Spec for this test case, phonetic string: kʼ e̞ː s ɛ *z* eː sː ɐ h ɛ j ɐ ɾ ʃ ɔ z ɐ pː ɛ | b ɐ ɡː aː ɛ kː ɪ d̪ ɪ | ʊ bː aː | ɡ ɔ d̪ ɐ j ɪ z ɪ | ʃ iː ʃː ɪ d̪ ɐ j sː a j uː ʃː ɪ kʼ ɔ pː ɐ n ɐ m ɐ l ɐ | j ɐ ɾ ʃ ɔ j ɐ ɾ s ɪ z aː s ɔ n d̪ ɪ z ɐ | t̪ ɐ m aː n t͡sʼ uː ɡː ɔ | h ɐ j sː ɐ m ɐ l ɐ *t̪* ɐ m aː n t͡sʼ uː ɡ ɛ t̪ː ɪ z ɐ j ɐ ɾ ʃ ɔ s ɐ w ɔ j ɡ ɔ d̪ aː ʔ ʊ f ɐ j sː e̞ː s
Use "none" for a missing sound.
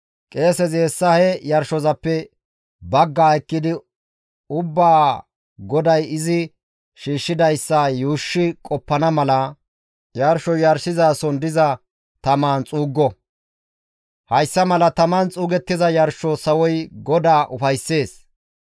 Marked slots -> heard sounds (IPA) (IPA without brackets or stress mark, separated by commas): z, t̪